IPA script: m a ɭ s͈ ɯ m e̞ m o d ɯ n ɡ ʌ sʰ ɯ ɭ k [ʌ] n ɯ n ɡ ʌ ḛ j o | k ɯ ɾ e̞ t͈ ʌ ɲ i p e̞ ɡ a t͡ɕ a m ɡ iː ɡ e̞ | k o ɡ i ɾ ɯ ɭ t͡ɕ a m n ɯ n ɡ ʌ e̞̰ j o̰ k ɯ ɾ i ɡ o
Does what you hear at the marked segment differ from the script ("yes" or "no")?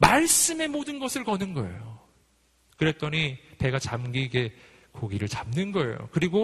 no